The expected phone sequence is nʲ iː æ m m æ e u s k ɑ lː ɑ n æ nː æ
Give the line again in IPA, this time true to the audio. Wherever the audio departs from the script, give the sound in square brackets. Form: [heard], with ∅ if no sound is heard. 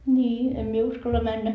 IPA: nʲ iː [e] m m [i] e u s k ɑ lː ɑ [m] æ nː æ

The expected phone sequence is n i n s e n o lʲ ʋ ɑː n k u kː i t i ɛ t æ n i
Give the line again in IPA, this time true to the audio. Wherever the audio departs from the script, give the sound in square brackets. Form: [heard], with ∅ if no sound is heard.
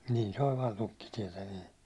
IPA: n i n s e [∅] o lʲ ʋ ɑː n [t] u kː i t i ɛ t æ n [iː]

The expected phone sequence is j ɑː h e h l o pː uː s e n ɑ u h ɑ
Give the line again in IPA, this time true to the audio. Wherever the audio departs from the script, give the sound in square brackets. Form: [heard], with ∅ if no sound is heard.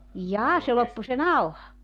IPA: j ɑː [s] e [∅] l o pː [u] s e n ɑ u h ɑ

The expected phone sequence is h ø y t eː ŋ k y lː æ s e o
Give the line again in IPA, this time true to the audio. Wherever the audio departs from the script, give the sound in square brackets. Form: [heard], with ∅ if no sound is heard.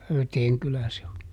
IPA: h ø y t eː ŋ k y [l] æ s e o

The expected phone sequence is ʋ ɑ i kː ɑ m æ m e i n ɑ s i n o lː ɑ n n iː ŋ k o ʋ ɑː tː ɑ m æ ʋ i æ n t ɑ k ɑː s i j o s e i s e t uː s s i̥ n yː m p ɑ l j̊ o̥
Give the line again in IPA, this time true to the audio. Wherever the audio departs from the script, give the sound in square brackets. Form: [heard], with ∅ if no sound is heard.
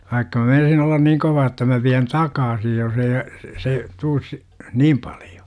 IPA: ʋ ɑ i kː ɑ m æ m e i n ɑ s i n o lː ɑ n n iː ŋ k o ʋ ɑː tː ɑ m æ ʋ i æ n t ɑ k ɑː s i j o s e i s e t uː s s i̥ n [iː] m p ɑ l j̊ o̥

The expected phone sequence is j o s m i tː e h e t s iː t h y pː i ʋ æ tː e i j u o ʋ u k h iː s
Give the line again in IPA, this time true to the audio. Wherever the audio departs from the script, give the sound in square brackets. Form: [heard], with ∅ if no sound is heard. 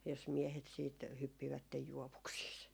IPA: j o s m i [∅] e h e t s iː t h y pː i ʋ æ tː e [j] j u o ʋ u k [s] iː s

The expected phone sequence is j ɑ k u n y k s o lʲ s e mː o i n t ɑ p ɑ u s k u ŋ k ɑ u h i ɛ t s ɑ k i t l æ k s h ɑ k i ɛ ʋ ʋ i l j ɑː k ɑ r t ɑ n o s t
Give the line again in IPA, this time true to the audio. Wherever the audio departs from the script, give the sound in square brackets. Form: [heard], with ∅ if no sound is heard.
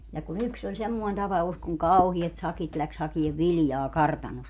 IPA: j ɑ k u n y k s o lʲ s e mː o i n t ɑ p ɑ u s k u ŋ k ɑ u h i ɛ t s ɑ k i t l æ k s h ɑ k i [e] ʋ ʋ i l j ɑː k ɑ r t ɑ n o s t

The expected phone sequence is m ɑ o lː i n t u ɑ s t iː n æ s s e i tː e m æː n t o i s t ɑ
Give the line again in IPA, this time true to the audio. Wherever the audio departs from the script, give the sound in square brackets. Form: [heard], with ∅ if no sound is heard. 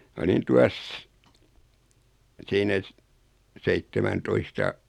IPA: m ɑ o [l] i n t u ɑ s [s] iː n æ s s e i tː e m [æ] n t o i s t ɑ

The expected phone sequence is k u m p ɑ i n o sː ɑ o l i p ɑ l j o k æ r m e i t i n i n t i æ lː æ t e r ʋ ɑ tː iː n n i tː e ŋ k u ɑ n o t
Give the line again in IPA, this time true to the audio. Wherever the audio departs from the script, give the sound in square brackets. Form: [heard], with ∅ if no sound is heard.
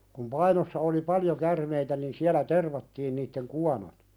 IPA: k u m p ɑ i n o sː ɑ o l i p ɑ l j o k æ r m e i t [æ] n i n [s] i æ [l] æ t e r ʋ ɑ tː iː n n i tː e ŋ k u ɑ n o t

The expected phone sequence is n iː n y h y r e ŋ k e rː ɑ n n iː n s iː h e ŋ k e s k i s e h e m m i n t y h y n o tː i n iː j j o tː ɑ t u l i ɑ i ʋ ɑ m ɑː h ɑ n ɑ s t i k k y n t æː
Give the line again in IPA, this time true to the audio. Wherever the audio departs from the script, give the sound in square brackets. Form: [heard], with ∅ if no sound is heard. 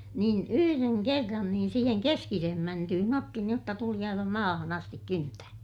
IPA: n iː n y h y r e ŋ k e rː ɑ n n iː n s iː h e ŋ k e s k i s e h e m m [æ] n t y h y n o tː i n iː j j o tː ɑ t u l i ɑ i ʋ ɑ m ɑː h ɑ n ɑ s t i k k y n t æː

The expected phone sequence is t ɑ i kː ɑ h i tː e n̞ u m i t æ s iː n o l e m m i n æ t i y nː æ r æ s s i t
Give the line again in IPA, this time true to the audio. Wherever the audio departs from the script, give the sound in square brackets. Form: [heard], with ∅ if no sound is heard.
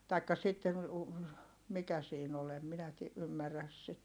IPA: t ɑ i kː ɑ [s] i tː e n̞ u m i [k] æ s iː n o l e m m i n æ t i y [mː] æ r æ s s i t

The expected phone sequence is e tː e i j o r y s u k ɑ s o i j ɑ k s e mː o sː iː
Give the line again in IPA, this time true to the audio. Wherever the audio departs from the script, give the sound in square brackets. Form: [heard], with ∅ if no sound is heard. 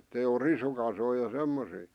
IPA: e tː e i [∅] o r [i] s u k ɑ s o i j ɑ [∅] s e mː o [s] iː

